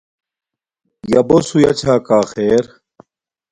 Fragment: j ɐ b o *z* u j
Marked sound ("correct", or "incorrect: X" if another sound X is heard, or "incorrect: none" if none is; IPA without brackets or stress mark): incorrect: s